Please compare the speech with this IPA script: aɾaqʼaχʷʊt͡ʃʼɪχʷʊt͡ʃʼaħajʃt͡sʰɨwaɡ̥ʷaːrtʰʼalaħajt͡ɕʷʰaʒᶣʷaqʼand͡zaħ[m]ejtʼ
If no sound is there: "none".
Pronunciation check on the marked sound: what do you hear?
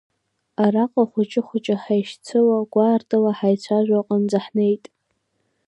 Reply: n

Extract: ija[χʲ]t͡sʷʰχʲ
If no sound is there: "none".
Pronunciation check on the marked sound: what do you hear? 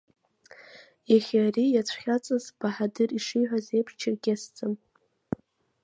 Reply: none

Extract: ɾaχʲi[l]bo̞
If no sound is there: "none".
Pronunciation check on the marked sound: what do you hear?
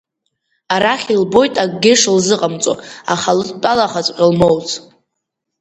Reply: l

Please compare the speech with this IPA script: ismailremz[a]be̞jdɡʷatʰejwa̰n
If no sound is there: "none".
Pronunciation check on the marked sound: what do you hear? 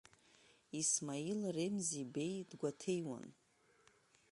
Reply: i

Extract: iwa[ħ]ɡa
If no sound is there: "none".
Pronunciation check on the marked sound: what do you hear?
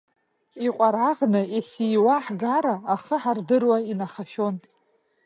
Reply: ħ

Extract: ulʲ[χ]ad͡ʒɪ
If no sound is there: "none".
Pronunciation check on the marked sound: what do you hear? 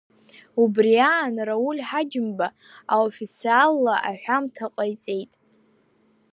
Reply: ħ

